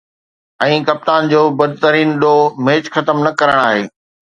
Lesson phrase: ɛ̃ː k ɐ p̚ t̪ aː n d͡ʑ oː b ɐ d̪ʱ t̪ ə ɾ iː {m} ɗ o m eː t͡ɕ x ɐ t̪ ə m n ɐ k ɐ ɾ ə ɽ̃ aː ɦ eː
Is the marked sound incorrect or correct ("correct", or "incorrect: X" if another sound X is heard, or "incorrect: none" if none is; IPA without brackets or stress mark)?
incorrect: n